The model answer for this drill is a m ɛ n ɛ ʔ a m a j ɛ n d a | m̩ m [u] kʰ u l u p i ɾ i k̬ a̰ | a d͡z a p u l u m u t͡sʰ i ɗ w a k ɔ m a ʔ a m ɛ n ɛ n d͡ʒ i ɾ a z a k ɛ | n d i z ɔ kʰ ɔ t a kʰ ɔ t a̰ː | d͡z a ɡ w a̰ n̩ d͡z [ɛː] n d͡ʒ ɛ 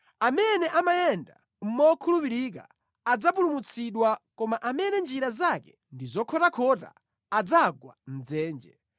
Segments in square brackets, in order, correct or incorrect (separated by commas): incorrect, correct